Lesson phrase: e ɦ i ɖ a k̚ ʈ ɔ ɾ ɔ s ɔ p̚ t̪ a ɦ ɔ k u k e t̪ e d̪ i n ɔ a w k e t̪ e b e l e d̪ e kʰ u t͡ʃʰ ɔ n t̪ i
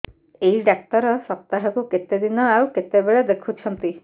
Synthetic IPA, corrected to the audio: e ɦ i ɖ a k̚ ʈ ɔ ɾ ɔ s ɔ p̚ t̪ a ɦ ɔ k u k e t̪ e d̪ i n ɔ a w k e t̪ e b e ɭ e d̪ e kʰ u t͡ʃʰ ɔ n t̪ i